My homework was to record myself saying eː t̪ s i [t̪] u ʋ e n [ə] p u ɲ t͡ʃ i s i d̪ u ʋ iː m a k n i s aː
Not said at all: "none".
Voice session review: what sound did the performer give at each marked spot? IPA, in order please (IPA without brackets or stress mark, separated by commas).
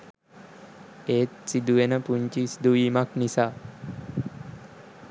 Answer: d̪, ə